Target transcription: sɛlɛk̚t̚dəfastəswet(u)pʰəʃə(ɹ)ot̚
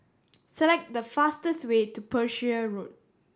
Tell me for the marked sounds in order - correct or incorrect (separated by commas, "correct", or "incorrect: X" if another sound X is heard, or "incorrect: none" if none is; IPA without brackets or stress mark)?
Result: correct, correct